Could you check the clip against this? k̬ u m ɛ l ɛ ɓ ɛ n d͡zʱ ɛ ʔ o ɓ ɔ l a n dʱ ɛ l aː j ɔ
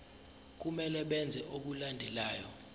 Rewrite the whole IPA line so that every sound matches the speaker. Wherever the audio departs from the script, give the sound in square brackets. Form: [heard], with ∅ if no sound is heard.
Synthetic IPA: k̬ u m ɛ l ɛ ɓ ɛ n d͡zʱ ɛ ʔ o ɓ [u] l a n dʱ ɛ l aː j ɔ